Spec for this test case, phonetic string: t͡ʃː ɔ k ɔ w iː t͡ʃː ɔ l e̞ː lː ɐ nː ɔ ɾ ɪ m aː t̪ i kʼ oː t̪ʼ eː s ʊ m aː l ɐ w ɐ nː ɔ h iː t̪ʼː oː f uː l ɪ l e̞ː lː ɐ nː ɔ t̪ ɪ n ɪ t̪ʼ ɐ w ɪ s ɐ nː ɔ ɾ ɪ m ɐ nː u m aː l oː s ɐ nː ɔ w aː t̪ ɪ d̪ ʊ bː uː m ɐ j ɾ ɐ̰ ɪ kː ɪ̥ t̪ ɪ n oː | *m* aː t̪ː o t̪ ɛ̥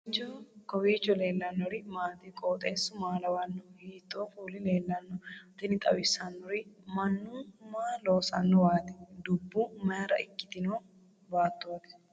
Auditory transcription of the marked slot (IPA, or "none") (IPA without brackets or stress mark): b